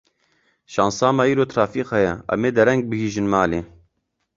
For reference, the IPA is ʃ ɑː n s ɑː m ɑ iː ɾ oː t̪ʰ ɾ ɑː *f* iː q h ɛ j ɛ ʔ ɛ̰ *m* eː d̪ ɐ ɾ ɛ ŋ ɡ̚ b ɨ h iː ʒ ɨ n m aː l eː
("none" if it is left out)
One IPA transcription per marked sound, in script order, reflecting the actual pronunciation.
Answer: f, m

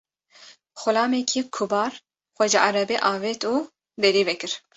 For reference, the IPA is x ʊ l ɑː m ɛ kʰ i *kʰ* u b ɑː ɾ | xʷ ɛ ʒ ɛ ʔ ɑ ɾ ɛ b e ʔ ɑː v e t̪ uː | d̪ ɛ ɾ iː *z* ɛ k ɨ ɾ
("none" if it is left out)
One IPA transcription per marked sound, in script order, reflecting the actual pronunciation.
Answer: kʰ, v

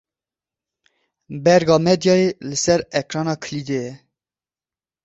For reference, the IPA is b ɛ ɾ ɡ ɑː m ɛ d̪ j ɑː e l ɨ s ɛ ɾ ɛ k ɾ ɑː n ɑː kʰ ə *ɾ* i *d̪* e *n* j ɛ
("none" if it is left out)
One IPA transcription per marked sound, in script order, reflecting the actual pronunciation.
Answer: l, d̪, none

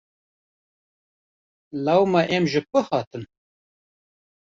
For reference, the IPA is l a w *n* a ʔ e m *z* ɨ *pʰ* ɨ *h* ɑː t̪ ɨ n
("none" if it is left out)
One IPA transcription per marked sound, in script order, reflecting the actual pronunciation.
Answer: m, ʒ, p, h

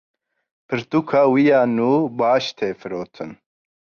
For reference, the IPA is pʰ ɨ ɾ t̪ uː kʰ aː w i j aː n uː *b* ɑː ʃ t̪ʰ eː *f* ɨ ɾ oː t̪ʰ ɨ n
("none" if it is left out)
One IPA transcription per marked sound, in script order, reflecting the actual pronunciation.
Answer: b, f

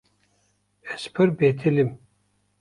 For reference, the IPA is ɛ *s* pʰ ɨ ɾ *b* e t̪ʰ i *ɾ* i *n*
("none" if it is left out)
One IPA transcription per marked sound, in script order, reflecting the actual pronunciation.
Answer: s, b, l, m

